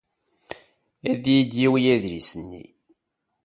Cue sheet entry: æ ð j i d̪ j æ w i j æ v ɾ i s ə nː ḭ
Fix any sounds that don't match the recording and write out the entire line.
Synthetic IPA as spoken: æ ð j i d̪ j i w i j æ ð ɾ i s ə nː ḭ